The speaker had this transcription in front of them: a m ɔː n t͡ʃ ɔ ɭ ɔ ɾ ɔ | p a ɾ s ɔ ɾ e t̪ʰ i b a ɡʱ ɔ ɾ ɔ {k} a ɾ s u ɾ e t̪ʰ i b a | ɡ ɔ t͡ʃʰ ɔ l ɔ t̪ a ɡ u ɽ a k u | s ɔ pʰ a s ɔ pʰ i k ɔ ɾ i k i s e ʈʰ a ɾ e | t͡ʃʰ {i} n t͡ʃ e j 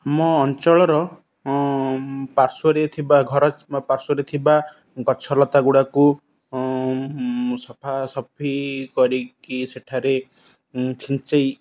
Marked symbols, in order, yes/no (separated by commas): no, yes